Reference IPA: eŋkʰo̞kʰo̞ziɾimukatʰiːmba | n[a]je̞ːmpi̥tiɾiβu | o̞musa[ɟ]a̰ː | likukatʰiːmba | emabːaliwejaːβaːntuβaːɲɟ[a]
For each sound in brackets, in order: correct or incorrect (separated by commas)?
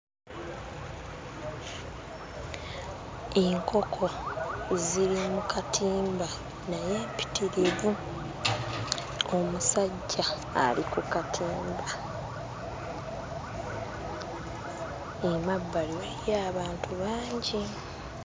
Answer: correct, incorrect, incorrect